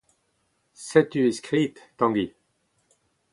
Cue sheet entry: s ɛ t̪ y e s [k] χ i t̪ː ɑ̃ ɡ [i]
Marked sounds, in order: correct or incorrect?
correct, correct

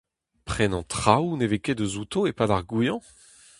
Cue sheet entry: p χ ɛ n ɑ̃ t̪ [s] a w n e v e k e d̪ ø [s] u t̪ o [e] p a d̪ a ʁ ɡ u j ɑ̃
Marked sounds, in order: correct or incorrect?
incorrect: χ, incorrect: z, correct

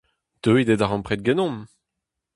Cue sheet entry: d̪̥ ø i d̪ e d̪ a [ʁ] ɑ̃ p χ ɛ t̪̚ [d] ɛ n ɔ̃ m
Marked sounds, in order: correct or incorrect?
correct, incorrect: ɡ

